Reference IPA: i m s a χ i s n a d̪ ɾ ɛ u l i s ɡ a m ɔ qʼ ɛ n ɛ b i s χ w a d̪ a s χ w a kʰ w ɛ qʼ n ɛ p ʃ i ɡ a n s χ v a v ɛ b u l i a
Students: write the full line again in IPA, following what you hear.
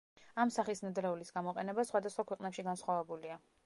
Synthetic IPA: a m s a χ i s n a d̪ ɾ ɛ u l i s ɡ a m ɔ qʼ ɛ n ɛ b a s χ w a d̪ a s χ w a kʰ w ɛ qʼ n ɛ p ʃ i ɡ a n s χ w a v ɛ b u l i a